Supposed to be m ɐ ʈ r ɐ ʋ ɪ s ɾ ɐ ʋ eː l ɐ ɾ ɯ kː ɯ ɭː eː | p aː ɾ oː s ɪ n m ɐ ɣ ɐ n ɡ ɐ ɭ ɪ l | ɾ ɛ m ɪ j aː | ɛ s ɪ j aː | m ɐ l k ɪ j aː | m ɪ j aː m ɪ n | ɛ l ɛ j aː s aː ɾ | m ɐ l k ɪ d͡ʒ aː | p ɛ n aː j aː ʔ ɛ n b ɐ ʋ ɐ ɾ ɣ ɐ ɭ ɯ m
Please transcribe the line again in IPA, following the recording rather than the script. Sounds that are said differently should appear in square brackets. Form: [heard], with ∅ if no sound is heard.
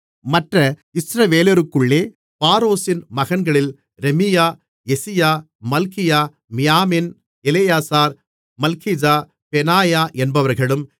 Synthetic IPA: m ɐ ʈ r ɐ [∅] ɪ s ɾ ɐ ʋ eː l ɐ ɾ ɯ kː ɯ ɭː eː | p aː ɾ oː s ɪ n m ɐ ɣ ɐ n ɡ ɐ ɭ ɪ l | ɾ ɛ m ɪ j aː | ɛ s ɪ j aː | m ɐ l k ɪ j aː | m ɪ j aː m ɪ n | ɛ l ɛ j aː s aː ɾ | m ɐ l k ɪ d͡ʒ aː | p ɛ n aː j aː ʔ ɛ n b ɐ ʋ ɐ ɾ ɣ ɐ ɭ ɯ m